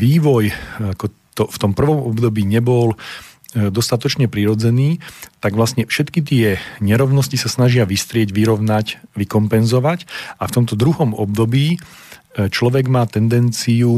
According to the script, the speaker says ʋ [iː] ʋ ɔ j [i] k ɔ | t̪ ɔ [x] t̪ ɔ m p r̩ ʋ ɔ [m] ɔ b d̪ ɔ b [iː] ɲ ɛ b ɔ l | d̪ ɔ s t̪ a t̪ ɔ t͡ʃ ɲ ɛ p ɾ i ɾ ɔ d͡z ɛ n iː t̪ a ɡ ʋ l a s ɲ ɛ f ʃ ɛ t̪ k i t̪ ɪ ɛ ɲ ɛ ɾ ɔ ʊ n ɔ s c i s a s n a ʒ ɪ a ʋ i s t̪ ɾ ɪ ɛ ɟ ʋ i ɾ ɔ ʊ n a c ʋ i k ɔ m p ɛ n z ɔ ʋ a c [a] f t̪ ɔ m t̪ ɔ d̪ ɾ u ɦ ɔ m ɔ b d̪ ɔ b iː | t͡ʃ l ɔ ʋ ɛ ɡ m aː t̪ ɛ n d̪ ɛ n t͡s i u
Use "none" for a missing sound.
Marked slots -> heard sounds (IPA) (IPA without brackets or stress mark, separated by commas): iː, a, f, m, iː, a